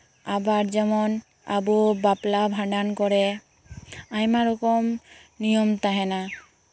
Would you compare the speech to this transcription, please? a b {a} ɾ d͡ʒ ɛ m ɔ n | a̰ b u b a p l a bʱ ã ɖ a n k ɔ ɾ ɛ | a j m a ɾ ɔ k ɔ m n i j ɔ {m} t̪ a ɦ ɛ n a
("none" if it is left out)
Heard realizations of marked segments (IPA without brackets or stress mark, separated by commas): a, m